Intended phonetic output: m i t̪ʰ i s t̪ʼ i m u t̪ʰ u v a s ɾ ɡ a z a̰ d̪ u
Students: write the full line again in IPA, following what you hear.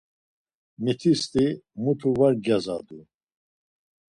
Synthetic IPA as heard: m i t̪ʰ i s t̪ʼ i m u t̪ʰ u v a ɾ ɡ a z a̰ d̪ u